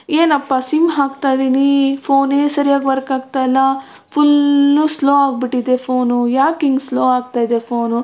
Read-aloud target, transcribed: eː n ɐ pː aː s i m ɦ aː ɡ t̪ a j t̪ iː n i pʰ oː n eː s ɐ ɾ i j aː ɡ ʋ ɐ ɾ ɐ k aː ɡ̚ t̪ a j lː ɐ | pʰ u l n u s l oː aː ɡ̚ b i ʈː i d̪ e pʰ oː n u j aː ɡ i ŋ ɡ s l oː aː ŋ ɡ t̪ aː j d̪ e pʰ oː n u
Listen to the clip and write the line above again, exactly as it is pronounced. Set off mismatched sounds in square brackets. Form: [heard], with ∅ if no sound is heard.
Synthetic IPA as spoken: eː n ɐ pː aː s i m ɦ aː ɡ t̪ a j [d̪] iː n i pʰ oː n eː s ɐ ɾ i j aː ɡ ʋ ɐ ɾ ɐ k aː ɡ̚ t̪ a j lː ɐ | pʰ u l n u s l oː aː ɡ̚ b i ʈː i d̪ e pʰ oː n u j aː [k] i ŋ ɡ s l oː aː [∅] ɡ t̪ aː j d̪ e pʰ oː n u